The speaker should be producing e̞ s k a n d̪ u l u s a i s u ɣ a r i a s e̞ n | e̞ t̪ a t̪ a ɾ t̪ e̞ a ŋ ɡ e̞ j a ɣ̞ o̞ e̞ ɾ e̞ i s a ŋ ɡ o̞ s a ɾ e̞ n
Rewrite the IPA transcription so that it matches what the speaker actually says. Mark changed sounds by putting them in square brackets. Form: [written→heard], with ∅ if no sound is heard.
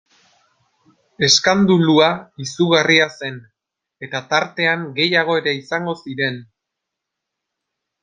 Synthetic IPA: e̞ s k a n d̪ u l u [s→∅] a i s u ɣ a r i a s e̞ n | e̞ t̪ a t̪ a ɾ t̪ e̞ a ŋ ɡ e̞ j a ɣ̞ o̞ e̞ ɾ e̞ i s a ŋ ɡ o̞ s [a→i] ɾ e̞ n

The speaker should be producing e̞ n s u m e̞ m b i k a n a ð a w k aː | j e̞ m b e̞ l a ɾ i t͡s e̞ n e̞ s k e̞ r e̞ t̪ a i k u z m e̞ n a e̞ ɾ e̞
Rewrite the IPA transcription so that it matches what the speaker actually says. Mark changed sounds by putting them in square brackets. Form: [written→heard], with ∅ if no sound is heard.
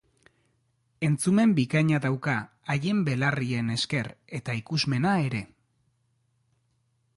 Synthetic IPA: e̞ n [s→t͡s] u m e̞ m b i k a [n→ɲ] a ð a w k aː | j e̞ m b e̞ l a [ɾ→r] i [t͡s→∅] e̞ n e̞ s k e̞ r e̞ t̪ a i k u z m e̞ n a e̞ ɾ e̞

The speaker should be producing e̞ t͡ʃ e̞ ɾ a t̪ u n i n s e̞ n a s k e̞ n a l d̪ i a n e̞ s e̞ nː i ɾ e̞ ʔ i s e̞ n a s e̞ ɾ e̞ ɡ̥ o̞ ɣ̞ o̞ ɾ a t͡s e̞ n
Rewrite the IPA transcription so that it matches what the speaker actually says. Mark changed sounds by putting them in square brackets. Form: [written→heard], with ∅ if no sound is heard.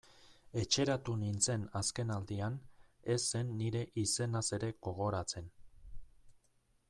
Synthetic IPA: e̞ t͡ʃ e̞ ɾ a t̪ u n i n [s→t͡s] e̞ n a s k e̞ n a l d̪ i a n e̞ s e̞ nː i ɾ e̞ ʔ i s e̞ n a s e̞ ɾ e̞ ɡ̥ o̞ ɣ̞ o̞ ɾ a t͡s e̞ n

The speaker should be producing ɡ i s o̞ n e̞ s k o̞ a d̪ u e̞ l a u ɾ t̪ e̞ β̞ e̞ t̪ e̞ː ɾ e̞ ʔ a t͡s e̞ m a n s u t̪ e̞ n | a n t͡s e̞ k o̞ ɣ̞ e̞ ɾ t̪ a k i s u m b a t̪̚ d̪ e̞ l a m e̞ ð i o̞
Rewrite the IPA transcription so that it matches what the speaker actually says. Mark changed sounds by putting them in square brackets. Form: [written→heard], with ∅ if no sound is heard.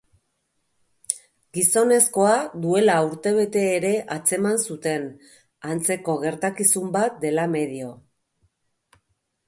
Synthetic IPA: ɡ i s o̞ n e̞ s k o̞ a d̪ u e̞ l a u ɾ t̪ e̞ β̞ e̞ t̪ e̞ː ɾ e̞ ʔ a t͡s e̞ m a n s u t̪ e̞ n | a n t͡s e̞ k o̞ ɣ̞ e̞ ɾ t̪ a k i s u m b a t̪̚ d̪ e̞ l a m e̞ ð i o̞

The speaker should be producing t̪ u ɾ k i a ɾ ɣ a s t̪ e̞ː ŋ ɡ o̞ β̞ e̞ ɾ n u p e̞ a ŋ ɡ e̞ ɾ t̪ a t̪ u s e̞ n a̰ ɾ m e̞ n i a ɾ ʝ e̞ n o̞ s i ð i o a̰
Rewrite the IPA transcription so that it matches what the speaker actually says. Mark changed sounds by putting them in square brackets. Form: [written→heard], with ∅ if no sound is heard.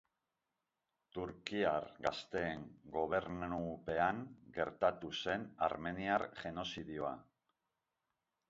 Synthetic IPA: t̪ u ɾ k i a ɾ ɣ a s t̪ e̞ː ŋ ɡ o̞ β̞ e̞ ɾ n u p e̞ a ŋ ɡ e̞ ɾ t̪ a t̪ u s e̞ n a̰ ɾ m e̞ n i a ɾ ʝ e̞ n o̞ s i ð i o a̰

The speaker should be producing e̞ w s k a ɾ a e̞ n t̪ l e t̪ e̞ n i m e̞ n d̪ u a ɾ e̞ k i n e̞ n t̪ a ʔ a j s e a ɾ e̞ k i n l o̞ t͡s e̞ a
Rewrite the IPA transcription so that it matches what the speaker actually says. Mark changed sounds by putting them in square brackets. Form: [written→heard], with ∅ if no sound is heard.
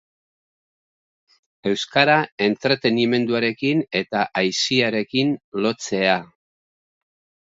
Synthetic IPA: e̞ w s k a ɾ a e̞ n t̪ [l→ɾ] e t̪ e̞ n i m e̞ n d̪ u a ɾ e̞ k i n e̞ [n→∅] t̪ a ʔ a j s [e→i] a ɾ e̞ k i n l o̞ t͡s e̞ a

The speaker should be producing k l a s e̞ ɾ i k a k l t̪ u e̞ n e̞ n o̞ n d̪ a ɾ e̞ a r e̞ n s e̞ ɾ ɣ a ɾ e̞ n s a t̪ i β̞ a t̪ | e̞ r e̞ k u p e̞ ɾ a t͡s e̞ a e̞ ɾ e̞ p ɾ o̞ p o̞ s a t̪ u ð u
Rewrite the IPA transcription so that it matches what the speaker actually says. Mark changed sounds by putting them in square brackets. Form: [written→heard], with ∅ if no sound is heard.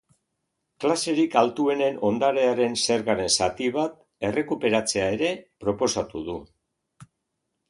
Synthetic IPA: k l a s e̞ ɾ i k a [k→∅] l t̪ u e̞ n e̞ n o̞ n d̪ a ɾ e̞ a [r→ɾ] e̞ n s e̞ ɾ ɣ a ɾ e̞ n s a t̪ i β̞ a t̪ | e̞ r e̞ k u p e̞ ɾ a t͡s e̞ a e̞ ɾ e̞ p ɾ o̞ p o̞ s a t̪ u ð u

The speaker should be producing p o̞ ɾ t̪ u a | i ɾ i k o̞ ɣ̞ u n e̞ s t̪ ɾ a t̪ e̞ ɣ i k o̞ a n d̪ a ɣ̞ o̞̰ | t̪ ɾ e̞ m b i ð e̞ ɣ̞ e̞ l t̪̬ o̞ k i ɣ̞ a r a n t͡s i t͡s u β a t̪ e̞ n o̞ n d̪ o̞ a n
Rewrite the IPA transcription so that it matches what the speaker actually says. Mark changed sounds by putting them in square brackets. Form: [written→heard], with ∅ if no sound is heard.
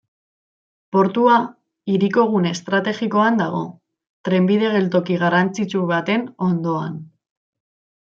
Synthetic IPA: p o̞ ɾ t̪ u a | i ɾ i k o̞ ɣ̞ u n e̞ s t̪ ɾ a t̪ e̞ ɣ i k o̞ a n d̪ a ɣ̞ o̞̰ | t̪ ɾ e̞ m b i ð e̞ ɣ̞ e̞ l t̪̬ o̞ k i ɣ̞ a r a n t͡s i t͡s u β a t̪ e̞ n o̞ n d̪ o̞ a n

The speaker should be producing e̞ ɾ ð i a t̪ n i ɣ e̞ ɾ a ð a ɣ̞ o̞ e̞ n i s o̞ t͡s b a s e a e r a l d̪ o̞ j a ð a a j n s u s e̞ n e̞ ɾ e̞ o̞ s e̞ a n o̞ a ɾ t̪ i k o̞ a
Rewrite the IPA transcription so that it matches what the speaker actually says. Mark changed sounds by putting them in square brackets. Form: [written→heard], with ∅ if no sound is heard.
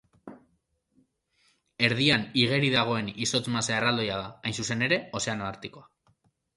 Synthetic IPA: e̞ ɾ ð i a [t̪→∅] n i ɣ e̞ ɾ [a→i] ð a ɣ̞ o̞ e̞ n i s o̞ t͡s [b→m] a s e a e r a l d̪ o̞ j a ð a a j n s u s e̞ n e̞ ɾ e̞ o̞ s e̞ a n o̞ a ɾ t̪ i k o̞ a

